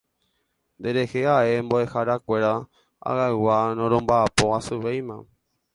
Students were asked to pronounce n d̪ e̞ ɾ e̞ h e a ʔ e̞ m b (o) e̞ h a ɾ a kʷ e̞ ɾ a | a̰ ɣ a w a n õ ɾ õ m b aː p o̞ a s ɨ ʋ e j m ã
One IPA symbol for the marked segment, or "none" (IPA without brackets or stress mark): o